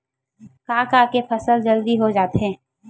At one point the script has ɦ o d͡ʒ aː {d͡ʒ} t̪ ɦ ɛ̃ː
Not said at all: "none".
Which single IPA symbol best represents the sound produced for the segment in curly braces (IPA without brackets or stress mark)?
none